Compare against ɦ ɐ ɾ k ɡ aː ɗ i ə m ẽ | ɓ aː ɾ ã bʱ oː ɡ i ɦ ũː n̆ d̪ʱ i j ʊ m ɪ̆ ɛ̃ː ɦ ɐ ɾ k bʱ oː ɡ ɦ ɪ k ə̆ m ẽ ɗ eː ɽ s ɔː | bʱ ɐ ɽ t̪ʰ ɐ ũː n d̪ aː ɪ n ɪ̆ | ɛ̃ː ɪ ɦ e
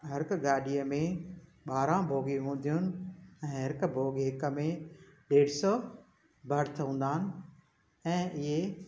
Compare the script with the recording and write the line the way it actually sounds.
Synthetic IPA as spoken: ɦ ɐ ɾ k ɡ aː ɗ i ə m ẽ | ɓ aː ɾ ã bʱ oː ɡ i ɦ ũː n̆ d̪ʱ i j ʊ n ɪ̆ ɛ̃ː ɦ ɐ ɾ k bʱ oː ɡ ɦ ɪ k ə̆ m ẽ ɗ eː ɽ s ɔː | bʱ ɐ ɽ t̪ʰ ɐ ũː n d̪ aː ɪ n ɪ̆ | ɛ̃ː ɪ ɦ e